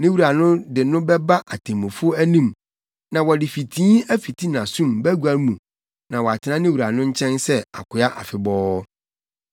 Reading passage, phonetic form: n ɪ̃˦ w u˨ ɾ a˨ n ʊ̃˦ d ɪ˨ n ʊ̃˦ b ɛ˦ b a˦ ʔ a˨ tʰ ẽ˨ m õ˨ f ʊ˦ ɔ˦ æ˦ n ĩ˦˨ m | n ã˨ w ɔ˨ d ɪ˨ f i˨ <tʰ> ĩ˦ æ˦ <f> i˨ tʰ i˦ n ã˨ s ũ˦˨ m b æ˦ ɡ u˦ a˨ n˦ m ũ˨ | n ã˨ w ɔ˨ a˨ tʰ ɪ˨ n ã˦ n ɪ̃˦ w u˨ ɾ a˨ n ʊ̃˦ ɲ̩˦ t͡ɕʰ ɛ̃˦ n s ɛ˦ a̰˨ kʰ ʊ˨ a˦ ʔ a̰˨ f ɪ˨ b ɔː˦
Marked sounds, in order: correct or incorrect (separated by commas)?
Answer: correct, correct